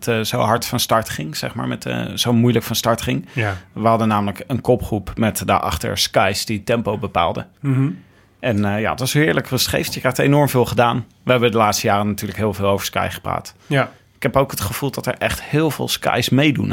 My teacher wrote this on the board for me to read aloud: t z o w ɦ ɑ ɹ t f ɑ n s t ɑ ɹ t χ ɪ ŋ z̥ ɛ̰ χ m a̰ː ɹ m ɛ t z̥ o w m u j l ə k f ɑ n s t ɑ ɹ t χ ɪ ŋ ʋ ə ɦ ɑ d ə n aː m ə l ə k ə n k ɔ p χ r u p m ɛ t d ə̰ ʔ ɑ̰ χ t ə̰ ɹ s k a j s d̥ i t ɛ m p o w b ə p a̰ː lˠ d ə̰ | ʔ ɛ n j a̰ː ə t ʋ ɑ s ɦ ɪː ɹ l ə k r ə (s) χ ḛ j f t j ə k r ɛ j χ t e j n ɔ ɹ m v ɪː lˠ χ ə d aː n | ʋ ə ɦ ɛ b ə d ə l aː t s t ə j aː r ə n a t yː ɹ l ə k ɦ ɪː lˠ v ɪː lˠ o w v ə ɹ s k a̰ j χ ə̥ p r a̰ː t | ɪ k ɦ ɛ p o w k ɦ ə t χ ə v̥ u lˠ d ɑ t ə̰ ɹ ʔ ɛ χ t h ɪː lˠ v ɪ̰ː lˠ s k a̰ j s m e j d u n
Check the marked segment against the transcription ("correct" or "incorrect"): correct